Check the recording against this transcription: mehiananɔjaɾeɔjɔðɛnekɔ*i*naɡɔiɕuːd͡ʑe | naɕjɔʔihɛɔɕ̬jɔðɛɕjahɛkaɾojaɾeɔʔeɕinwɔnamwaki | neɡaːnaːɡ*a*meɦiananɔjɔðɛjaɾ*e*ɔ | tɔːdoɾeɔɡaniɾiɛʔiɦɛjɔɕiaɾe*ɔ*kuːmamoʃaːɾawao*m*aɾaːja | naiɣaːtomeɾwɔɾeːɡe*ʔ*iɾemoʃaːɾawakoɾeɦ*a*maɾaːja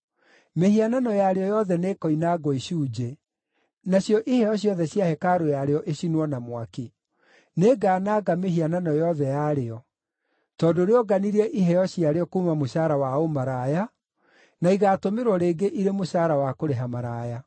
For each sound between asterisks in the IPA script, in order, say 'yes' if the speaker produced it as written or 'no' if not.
yes, yes, yes, yes, yes, yes, yes

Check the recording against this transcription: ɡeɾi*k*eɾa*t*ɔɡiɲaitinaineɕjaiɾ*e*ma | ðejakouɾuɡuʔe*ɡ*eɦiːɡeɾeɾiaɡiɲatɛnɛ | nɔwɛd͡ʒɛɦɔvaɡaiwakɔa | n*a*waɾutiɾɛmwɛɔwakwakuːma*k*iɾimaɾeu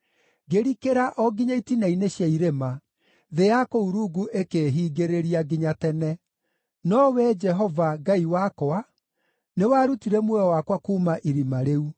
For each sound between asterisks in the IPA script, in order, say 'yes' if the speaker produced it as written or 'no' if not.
yes, no, yes, no, no, no

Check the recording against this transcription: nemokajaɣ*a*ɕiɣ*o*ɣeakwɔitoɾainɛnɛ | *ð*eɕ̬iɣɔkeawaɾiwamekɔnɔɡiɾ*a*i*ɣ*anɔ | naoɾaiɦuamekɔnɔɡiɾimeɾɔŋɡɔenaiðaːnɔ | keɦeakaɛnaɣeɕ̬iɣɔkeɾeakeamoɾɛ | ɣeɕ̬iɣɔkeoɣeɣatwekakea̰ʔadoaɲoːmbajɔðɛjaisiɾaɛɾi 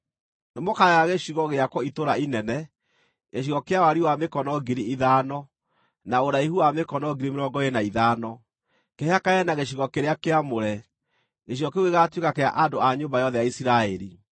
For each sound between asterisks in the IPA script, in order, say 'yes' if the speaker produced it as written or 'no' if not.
no, no, no, no, no

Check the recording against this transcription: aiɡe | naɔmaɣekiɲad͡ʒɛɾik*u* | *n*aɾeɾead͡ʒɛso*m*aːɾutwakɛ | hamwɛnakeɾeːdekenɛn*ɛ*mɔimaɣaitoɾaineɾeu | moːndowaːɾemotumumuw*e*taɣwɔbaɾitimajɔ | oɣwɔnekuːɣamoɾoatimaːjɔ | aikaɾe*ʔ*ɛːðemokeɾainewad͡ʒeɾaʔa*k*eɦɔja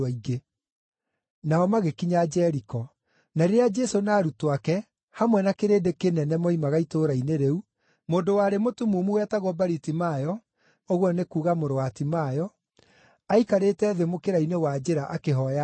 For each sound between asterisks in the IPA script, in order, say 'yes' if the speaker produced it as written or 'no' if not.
no, yes, no, yes, no, no, yes

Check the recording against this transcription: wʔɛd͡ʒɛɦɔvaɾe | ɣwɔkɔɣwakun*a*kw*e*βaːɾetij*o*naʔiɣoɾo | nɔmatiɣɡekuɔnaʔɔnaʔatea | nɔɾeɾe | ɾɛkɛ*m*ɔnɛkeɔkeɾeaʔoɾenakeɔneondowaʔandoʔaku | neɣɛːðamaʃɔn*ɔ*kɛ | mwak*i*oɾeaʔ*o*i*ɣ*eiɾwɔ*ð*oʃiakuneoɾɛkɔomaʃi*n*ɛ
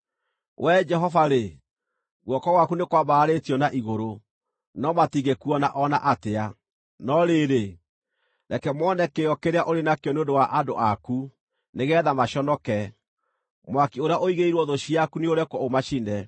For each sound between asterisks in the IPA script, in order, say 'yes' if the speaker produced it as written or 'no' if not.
no, no, no, yes, yes, yes, yes, yes, yes, yes

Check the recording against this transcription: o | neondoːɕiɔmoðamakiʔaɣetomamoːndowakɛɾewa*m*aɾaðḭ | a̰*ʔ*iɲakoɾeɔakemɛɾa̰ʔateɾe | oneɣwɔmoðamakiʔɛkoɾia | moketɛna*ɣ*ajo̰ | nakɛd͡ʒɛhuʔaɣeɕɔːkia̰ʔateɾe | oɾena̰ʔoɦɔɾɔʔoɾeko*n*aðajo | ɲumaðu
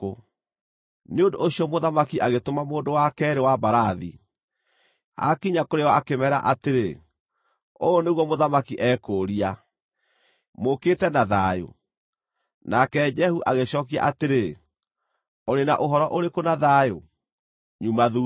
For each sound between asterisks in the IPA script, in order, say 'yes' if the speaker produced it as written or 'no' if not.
no, no, no, yes

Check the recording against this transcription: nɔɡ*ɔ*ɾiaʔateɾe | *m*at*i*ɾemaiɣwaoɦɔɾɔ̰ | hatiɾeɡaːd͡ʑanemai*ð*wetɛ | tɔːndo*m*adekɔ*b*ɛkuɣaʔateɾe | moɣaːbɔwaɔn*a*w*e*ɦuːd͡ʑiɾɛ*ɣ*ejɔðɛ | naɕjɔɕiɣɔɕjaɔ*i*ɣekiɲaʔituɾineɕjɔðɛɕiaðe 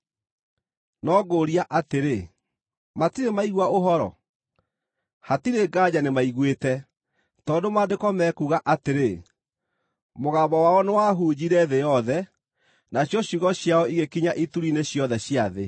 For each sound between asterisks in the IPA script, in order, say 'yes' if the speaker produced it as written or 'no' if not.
no, yes, yes, no, yes, no, no, no, no, yes

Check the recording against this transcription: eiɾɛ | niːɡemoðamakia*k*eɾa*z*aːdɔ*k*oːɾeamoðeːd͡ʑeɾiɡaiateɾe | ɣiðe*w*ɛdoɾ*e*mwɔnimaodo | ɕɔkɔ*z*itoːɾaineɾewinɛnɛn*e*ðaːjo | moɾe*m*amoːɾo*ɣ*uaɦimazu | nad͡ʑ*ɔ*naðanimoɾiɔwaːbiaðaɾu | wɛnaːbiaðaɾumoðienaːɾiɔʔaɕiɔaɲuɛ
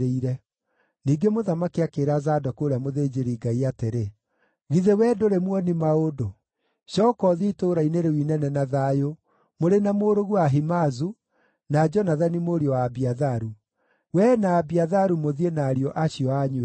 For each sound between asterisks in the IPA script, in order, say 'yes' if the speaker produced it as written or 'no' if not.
yes, yes, yes, yes, yes, no, no, no, yes, yes

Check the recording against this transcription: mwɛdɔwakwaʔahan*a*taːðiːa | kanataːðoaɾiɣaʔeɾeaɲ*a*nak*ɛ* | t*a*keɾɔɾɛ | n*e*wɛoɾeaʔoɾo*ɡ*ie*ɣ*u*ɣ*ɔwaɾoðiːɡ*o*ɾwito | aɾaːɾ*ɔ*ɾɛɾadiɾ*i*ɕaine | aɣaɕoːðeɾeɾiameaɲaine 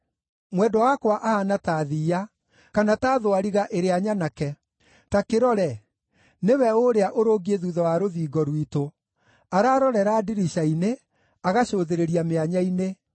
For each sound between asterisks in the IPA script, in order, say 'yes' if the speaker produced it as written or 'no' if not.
yes, yes, yes, yes, yes, yes, no, no, no, yes, yes

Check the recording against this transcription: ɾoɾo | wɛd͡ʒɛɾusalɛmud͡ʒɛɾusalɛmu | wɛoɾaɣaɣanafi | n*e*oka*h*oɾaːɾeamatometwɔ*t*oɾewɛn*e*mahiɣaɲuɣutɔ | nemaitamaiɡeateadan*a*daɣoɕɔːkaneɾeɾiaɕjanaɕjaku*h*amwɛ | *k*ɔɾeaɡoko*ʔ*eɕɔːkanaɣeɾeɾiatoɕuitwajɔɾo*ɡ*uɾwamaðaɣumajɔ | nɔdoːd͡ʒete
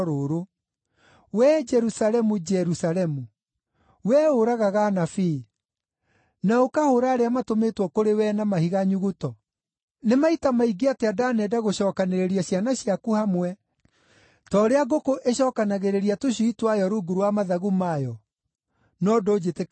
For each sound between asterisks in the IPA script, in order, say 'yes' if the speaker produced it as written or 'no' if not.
no, yes, no, no, no, yes, no, yes, yes

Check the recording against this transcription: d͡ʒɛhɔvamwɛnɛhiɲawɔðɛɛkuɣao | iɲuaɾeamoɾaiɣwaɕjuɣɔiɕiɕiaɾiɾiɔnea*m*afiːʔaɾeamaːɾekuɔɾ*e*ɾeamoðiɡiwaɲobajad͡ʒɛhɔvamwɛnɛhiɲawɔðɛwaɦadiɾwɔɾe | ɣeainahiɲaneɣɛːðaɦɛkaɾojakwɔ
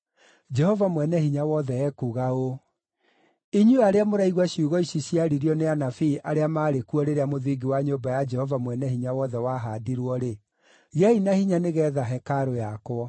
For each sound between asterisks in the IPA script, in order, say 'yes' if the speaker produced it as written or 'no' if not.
no, yes

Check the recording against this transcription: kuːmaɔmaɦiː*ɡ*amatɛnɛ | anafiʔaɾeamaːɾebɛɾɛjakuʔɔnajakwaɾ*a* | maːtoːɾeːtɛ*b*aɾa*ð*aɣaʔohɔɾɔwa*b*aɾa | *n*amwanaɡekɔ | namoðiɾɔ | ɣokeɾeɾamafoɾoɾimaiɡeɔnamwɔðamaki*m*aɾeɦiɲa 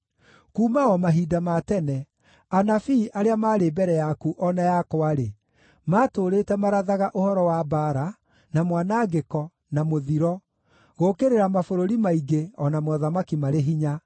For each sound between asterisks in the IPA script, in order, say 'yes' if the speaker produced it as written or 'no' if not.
no, no, no, yes, yes, yes, yes

